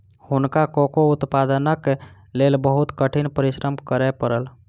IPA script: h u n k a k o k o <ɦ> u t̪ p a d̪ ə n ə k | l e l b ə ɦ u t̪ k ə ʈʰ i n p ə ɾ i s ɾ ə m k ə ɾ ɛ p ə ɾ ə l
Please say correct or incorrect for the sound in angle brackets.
incorrect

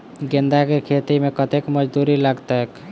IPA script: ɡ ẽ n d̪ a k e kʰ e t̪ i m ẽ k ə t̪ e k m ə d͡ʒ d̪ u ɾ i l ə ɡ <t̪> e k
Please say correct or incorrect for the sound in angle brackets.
correct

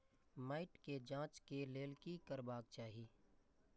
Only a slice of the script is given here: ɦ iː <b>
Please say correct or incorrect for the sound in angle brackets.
incorrect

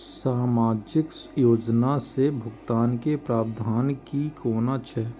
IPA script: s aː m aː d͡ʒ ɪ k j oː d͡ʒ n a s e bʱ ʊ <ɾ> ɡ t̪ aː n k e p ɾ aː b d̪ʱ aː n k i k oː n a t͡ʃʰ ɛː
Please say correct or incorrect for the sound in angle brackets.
incorrect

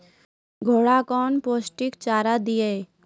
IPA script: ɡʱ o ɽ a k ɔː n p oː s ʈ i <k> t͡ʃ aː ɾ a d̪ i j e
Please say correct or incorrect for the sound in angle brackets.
correct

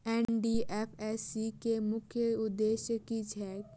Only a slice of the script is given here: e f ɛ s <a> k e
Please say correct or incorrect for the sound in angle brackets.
incorrect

